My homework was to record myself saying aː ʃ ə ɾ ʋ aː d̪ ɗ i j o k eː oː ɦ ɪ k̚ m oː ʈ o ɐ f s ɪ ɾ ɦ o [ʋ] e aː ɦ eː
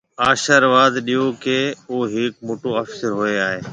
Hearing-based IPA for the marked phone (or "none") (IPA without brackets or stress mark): none